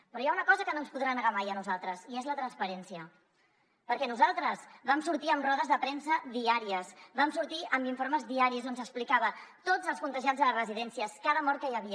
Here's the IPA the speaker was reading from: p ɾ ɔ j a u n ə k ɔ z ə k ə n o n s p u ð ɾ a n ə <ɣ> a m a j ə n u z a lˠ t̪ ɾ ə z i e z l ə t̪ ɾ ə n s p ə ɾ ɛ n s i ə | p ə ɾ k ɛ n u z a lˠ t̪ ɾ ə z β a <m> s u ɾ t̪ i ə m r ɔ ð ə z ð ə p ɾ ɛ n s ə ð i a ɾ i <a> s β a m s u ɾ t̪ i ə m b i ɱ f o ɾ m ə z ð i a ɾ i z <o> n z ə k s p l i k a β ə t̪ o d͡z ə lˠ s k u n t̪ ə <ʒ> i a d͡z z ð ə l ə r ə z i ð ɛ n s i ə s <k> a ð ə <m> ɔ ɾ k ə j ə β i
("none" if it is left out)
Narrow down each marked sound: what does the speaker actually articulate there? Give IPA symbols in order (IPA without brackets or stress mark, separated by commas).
ɣ, m, ə, o, ʒ, k, m